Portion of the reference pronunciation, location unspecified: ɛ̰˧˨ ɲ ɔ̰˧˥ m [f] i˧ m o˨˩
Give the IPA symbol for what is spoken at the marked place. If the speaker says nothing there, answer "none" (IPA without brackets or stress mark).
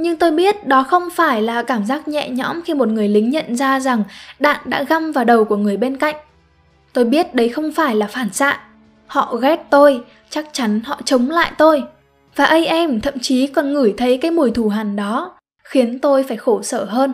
x